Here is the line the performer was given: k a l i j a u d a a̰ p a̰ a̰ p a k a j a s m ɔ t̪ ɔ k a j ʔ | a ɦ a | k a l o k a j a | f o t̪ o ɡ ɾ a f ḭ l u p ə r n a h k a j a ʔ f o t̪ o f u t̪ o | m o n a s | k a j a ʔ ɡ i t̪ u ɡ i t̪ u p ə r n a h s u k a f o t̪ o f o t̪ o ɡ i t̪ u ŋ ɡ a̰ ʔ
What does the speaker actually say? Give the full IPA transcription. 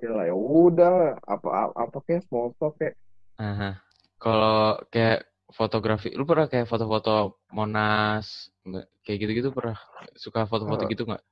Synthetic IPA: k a l a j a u d a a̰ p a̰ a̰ p a k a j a s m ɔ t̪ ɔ k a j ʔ | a ɦ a | k a l o k a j a | f o t̪ o ɡ ɾ a f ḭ l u p ə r n a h k a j a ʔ f o t̪ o f o t̪ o | m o n a s | k a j a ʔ ɡ i t̪ u ɡ i t̪ u p ə r n a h s u k a f o t̪ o f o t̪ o ɡ i t̪ u ŋ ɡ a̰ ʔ